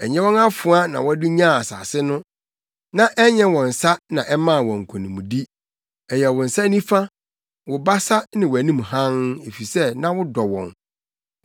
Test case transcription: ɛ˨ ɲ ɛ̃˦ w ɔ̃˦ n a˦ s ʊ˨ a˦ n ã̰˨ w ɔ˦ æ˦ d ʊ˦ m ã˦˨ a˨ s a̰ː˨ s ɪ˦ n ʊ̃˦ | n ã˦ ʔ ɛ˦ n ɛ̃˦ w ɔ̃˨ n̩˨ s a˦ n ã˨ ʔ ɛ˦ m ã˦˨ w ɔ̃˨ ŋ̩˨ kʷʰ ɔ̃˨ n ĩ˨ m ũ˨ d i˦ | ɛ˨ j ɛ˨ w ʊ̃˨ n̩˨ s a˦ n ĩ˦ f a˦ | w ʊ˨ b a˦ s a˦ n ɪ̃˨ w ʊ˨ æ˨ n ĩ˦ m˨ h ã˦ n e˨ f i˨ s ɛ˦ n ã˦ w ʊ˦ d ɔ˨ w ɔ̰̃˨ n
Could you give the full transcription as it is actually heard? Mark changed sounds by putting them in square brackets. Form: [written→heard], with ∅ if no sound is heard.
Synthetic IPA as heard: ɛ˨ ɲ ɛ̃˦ w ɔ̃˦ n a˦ [s→f] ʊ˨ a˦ n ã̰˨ w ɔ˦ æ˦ d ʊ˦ [m→ɲ] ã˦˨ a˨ s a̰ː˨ s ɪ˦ n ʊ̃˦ | n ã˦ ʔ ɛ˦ [n→ɲ] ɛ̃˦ w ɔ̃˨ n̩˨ s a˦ n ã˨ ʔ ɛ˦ m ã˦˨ w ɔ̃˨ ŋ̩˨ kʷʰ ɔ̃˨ n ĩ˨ m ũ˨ d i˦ | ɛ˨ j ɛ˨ w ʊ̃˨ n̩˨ s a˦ n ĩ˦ f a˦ | w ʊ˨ b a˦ s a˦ n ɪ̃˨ w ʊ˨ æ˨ n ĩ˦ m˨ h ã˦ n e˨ f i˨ s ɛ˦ n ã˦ w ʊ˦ d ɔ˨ w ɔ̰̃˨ n